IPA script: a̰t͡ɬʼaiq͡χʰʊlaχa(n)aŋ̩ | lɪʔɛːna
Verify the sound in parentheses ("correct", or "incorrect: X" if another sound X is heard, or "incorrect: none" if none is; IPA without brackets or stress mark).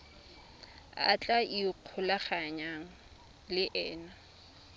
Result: incorrect: ɲ